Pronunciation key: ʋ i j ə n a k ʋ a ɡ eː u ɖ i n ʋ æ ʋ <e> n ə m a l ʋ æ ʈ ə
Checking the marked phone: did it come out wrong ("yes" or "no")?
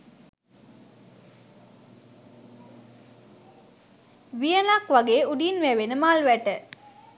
no